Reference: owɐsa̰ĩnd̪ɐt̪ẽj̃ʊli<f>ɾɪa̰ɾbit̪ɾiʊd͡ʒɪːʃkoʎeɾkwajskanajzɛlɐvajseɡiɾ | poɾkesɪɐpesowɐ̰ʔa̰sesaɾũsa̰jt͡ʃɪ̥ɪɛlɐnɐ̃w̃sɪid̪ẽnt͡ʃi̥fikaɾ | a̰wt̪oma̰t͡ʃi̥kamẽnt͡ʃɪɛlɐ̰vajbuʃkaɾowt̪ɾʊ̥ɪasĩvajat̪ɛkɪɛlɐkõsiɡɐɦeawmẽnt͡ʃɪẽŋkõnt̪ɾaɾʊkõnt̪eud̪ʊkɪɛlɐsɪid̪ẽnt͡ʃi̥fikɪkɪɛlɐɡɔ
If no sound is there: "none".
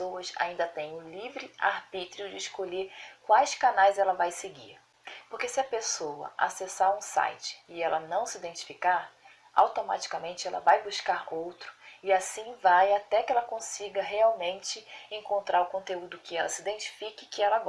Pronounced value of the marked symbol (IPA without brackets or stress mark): v